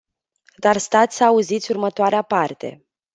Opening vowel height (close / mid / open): open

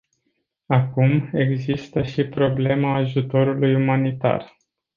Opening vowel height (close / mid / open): open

